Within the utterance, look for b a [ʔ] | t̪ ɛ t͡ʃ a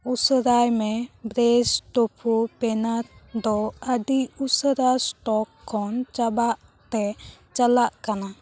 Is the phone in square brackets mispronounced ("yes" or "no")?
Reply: no